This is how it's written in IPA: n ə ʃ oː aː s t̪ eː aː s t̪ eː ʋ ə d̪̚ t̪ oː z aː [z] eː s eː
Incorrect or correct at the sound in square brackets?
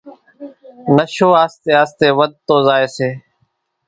incorrect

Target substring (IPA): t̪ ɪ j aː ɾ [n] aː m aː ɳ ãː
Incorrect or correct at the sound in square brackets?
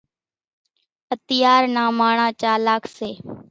correct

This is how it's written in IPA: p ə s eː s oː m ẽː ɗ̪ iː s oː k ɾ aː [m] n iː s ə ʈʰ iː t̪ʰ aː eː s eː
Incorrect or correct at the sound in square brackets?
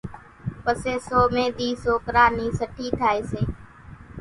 incorrect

